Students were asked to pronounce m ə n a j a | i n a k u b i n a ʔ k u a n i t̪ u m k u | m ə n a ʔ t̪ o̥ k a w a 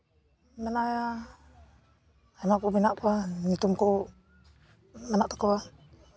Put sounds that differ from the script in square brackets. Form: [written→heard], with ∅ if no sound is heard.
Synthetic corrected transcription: m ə n a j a | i n a k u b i n a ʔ k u a n i t̪ u m k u | m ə n a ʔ t̪ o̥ k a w a